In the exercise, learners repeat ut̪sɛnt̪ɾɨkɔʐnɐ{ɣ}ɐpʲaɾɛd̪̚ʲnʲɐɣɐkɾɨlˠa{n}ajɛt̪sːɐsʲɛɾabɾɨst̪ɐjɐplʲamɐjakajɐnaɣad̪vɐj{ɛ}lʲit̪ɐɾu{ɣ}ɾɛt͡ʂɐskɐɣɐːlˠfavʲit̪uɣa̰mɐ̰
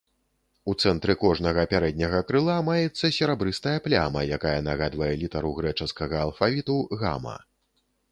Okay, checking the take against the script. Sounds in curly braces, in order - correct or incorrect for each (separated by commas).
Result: correct, incorrect, correct, correct